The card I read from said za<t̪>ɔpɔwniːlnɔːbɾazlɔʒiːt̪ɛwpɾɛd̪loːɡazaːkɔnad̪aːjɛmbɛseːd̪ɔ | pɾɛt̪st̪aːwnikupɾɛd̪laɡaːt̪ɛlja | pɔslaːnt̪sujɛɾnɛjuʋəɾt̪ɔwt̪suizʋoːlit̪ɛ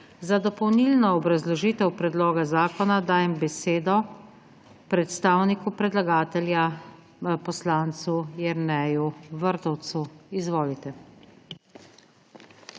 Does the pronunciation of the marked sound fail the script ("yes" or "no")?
yes